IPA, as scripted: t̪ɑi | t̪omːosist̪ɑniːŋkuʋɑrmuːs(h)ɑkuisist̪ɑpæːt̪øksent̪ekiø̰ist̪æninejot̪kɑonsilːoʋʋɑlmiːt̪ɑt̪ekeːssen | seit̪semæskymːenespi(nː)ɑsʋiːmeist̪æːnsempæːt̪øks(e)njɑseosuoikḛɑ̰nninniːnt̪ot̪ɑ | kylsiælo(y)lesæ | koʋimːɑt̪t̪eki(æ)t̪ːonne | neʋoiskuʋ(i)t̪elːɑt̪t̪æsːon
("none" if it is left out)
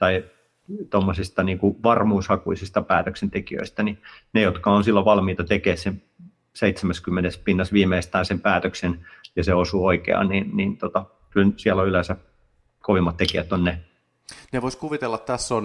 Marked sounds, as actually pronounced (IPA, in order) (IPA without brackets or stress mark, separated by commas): h, nː, e, y, æ, i